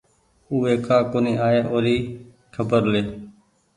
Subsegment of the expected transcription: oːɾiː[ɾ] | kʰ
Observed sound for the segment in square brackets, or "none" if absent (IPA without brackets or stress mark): none